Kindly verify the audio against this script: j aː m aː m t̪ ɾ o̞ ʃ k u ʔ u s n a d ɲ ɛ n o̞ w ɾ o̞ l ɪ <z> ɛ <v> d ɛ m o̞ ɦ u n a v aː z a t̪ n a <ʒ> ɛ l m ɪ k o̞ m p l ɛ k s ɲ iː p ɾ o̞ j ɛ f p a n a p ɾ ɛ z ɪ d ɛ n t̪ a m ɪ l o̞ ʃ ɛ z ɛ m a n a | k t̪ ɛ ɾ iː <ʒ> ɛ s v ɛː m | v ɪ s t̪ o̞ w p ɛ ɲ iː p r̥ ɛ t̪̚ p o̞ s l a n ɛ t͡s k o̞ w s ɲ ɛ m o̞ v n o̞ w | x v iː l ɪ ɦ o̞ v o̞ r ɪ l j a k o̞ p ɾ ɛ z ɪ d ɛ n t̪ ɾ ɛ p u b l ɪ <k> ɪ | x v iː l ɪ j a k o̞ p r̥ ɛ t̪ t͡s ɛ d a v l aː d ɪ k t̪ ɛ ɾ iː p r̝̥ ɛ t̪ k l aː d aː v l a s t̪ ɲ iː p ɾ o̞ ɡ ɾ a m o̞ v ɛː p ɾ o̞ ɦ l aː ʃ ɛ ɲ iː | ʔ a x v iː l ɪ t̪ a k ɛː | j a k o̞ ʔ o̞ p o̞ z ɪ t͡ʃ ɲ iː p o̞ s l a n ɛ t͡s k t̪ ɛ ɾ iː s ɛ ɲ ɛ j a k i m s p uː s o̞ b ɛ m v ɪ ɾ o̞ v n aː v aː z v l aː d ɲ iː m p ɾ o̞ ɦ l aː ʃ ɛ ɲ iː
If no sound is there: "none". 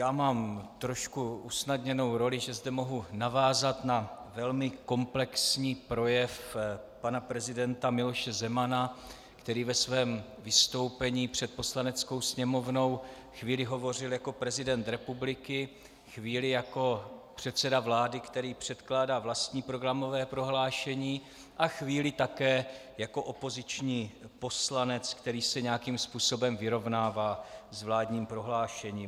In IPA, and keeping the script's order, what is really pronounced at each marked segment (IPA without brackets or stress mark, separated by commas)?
ʒ, z, v, v, k